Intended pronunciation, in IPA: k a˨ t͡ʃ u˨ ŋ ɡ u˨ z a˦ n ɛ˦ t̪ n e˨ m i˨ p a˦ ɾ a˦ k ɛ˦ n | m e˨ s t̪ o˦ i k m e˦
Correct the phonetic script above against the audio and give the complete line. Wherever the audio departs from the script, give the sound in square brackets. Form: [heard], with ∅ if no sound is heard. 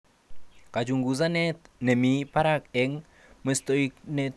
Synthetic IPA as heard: k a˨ t͡ʃ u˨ ŋ ɡ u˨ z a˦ n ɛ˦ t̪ n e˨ m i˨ p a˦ ɾ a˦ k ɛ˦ [ŋ] | m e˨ s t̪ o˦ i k [n] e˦